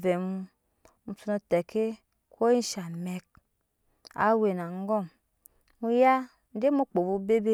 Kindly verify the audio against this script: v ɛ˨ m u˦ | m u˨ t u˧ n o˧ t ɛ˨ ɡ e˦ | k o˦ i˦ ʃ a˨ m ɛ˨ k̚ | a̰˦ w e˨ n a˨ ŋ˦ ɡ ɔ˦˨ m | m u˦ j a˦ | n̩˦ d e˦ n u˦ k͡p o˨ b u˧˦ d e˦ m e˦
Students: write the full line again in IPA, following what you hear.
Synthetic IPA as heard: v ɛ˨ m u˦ | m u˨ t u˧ n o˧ t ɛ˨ k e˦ | k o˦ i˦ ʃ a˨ m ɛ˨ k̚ | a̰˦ w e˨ n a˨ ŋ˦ ɡ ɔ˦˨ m | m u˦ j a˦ | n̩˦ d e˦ m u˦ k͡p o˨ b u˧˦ b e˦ b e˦